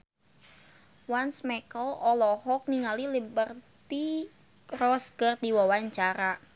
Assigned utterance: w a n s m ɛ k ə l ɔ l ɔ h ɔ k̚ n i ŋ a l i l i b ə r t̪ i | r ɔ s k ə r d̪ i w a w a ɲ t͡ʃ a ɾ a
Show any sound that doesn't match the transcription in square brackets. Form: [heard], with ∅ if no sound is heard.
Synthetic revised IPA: w a n s m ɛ k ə l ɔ l ɔ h ɔ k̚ n i ŋ a l i l i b ə r t̪ i | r ɔ s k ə r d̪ i w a w a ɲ t͡ʃ a ɾ a